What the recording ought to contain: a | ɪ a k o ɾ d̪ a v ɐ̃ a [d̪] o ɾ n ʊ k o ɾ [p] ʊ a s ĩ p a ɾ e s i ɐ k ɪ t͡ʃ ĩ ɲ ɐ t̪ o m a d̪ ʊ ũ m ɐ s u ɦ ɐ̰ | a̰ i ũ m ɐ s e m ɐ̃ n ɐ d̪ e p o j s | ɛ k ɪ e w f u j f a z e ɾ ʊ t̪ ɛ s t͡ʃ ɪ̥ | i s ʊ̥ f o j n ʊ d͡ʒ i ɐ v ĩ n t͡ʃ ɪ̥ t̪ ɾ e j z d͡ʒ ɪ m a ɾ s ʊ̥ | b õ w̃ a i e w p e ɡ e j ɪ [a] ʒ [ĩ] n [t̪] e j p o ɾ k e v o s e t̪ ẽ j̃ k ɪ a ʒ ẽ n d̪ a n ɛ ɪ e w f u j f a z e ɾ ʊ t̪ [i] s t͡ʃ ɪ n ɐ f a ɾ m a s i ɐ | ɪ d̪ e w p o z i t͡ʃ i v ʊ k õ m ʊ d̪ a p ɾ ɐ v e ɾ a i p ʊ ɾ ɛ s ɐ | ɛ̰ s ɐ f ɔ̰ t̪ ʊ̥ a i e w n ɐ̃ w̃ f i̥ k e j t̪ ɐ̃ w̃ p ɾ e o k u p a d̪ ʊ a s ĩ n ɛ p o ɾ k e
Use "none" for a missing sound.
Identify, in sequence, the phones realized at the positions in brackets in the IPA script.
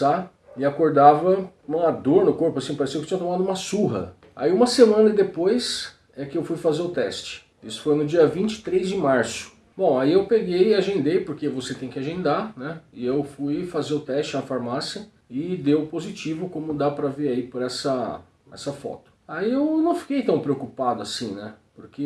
d̪, p, a, ẽ, d̪, ɛ

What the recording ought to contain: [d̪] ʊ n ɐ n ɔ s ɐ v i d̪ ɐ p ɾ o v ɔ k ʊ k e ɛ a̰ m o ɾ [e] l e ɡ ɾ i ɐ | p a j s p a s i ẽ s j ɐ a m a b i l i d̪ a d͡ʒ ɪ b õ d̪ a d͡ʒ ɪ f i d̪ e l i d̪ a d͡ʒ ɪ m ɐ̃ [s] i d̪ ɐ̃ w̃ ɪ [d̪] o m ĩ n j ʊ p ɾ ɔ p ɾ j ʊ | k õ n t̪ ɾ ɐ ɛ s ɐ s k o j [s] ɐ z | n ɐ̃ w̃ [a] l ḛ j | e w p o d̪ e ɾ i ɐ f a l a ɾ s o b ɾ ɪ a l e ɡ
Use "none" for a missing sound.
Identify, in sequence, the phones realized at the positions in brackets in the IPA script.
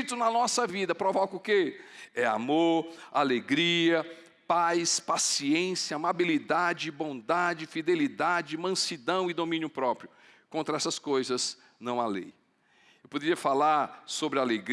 t̪, a, s, d̪, z, a

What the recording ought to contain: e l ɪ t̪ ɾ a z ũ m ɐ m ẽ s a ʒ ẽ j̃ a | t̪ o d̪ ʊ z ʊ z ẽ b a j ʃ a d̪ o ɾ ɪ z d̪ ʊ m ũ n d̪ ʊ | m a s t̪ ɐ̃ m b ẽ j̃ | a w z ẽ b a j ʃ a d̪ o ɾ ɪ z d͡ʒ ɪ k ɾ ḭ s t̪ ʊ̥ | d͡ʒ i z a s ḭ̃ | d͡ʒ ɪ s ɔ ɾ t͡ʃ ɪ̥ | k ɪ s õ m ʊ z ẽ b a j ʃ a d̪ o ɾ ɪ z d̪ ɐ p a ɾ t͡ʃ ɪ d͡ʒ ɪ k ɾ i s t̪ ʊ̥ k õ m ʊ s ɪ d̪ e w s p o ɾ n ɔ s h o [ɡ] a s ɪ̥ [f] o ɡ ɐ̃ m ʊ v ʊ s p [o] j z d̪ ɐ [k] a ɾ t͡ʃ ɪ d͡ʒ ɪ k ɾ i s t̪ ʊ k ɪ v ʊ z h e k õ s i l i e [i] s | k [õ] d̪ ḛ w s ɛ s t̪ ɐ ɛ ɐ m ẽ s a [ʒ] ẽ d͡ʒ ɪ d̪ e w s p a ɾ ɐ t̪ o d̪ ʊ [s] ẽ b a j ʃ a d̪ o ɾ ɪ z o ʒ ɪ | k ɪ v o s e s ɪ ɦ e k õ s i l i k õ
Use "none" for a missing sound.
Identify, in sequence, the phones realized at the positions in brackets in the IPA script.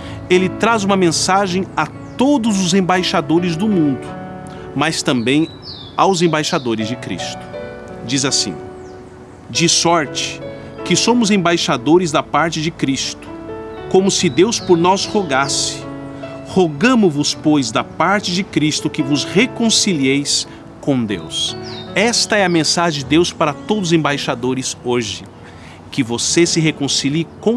ɡ, h, o, p, j, õ, ʒ, z

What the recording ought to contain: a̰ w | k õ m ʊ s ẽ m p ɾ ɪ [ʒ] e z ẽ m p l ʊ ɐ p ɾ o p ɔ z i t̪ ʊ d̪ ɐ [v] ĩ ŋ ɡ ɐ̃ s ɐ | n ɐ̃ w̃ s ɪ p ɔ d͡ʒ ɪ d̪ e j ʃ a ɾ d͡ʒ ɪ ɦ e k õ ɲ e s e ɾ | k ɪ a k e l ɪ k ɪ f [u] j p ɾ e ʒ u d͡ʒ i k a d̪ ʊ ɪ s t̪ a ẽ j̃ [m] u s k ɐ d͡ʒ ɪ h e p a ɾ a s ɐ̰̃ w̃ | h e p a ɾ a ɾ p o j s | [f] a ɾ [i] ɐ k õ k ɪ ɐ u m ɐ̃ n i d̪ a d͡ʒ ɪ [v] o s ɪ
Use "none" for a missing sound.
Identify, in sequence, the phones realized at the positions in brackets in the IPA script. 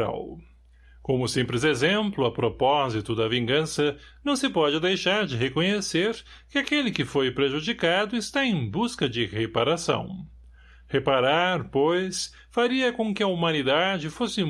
z, v, o, b, f, i, f

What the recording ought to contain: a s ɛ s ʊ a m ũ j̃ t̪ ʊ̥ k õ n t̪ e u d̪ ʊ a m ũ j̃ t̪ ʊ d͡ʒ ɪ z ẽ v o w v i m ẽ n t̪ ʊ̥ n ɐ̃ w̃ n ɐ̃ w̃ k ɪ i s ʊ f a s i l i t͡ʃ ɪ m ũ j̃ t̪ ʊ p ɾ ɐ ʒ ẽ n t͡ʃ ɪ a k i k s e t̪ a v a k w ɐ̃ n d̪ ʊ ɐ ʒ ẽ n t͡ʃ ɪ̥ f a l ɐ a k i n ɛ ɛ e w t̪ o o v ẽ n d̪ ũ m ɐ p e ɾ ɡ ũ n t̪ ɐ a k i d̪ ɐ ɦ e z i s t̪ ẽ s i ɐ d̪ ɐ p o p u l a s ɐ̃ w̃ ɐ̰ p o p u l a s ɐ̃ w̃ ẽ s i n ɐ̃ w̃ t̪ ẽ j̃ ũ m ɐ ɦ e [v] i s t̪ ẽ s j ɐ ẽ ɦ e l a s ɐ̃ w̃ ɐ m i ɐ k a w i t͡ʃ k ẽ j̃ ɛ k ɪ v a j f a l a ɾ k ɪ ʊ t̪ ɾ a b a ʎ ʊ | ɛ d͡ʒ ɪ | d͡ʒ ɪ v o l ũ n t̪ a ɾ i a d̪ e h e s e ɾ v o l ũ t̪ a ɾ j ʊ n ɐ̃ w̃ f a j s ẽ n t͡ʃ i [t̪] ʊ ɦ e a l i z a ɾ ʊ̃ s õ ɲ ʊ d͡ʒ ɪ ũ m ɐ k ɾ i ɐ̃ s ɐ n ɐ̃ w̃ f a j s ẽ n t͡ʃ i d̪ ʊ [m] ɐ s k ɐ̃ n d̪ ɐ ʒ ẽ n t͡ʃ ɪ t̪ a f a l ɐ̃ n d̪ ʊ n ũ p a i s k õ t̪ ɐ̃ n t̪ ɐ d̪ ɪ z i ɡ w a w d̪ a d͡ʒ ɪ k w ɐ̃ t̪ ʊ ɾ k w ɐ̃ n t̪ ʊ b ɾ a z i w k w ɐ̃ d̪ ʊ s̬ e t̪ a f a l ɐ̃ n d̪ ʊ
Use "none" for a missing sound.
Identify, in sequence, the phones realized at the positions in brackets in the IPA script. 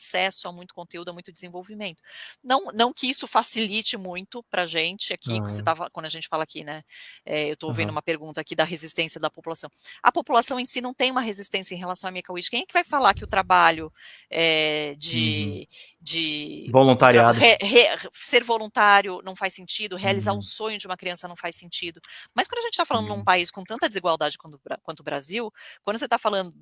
z, d̪, m

